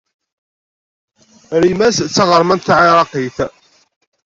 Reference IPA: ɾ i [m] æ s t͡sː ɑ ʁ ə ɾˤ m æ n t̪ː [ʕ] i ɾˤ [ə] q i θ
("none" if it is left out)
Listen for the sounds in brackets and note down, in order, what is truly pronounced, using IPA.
m, ʕ, ɑ

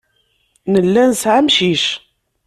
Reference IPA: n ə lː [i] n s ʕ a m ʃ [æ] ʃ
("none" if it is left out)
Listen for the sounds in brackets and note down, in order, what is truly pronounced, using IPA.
æ, i

